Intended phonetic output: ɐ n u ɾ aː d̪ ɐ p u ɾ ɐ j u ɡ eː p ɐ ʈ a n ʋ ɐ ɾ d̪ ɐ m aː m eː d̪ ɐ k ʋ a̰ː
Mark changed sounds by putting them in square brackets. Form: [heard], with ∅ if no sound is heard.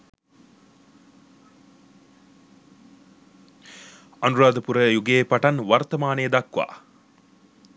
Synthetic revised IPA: ɐ n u ɾ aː d̪ ɐ p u ɾ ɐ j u ɡ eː p ɐ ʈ [ɐ] n ʋ ɐ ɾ [t̪] ɐ m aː [n] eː d̪ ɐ k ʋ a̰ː